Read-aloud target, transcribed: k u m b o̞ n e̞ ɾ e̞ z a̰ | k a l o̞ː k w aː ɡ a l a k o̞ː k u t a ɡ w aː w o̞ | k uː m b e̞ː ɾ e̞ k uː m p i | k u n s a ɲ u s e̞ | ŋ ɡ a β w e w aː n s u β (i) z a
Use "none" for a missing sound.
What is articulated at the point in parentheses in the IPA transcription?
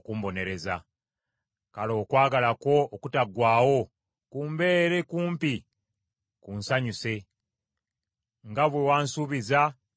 i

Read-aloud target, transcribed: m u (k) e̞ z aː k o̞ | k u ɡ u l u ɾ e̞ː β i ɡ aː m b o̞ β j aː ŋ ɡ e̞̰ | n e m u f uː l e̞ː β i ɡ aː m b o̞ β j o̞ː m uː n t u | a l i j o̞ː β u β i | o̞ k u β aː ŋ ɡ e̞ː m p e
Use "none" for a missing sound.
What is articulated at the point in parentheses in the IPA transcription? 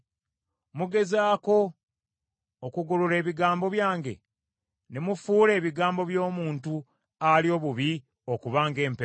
ɡ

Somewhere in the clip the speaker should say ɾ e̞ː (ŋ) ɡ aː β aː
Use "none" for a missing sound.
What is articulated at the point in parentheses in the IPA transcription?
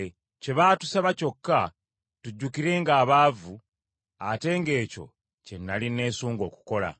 ŋ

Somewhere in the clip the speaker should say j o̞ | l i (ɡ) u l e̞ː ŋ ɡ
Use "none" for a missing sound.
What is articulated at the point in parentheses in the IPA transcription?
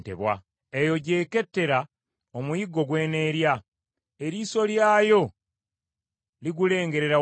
ɡ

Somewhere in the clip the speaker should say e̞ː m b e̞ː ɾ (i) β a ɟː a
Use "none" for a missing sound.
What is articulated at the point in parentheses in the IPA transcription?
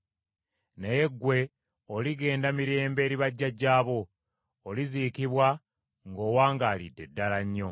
i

